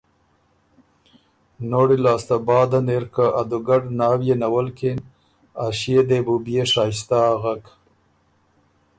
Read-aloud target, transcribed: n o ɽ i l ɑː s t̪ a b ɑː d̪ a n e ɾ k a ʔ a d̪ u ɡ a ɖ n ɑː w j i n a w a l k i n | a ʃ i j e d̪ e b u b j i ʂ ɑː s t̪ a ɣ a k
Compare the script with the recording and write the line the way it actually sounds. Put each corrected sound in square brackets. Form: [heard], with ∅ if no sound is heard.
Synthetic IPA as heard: n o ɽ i l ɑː s t̪ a b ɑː d̪ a n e ɾ k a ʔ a d̪ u ɡ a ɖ n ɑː w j [e] n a w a l k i n | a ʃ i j e d̪ e b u b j [e] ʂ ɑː s t̪ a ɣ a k